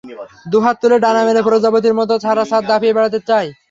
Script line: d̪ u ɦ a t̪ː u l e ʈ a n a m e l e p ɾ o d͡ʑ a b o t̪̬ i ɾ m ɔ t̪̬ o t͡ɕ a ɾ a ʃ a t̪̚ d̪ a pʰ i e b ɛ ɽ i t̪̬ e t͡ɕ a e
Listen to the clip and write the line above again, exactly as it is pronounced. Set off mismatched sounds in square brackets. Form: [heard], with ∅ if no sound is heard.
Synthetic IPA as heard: d̪ u ɦ a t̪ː u l e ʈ a n a m e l e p ɾ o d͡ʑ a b o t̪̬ i ɾ m ɔ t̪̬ o [t͡ɕʰ] a ɾ a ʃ a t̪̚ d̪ a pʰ i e b ɛ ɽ [a] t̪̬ e t͡ɕ a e